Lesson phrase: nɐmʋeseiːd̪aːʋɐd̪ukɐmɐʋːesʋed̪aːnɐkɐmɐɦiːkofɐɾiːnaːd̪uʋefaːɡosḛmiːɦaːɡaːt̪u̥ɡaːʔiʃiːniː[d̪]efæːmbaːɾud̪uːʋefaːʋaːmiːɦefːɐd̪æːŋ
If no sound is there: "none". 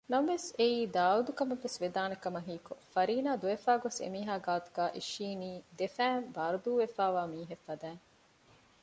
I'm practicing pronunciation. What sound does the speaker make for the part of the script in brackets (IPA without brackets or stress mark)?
d̪